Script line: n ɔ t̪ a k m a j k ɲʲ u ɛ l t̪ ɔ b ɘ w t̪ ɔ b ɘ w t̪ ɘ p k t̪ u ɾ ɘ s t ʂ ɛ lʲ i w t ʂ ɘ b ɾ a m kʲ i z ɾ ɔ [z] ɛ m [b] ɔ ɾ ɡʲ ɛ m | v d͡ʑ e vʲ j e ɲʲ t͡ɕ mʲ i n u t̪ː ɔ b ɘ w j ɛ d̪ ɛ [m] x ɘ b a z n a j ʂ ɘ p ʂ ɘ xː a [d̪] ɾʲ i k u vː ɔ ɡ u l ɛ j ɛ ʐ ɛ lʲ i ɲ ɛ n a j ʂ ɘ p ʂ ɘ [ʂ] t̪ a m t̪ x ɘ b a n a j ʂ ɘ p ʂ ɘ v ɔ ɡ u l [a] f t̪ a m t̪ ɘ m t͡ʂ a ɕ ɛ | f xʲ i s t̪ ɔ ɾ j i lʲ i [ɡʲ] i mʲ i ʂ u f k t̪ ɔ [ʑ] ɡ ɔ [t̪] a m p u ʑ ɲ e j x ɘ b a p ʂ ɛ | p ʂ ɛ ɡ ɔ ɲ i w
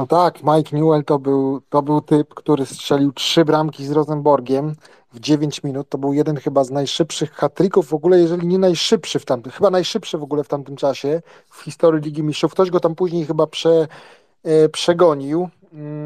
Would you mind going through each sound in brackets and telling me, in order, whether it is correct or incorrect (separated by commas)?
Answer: correct, correct, incorrect, incorrect, incorrect, incorrect, correct, correct, correct